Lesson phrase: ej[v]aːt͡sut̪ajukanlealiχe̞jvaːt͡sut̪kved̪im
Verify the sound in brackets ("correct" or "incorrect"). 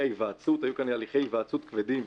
correct